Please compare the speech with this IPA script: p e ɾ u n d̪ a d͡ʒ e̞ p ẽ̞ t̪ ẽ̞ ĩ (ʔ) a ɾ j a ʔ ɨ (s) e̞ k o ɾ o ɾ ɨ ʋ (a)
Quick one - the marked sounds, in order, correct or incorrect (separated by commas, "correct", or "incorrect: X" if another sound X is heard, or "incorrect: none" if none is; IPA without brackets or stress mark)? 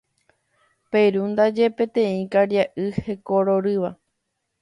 incorrect: k, incorrect: h, correct